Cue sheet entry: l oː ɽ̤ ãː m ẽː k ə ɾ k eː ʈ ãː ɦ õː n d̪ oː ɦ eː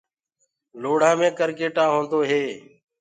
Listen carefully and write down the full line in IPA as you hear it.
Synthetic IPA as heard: l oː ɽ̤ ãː m ẽː k ə ɾ k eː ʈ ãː ɦ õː n d̪ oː ɦ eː